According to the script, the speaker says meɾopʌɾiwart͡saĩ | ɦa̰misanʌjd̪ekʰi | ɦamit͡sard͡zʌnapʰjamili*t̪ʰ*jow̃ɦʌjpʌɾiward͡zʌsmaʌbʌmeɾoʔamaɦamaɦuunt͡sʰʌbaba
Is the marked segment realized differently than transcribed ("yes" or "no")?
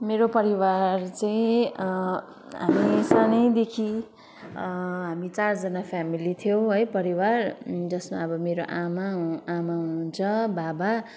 no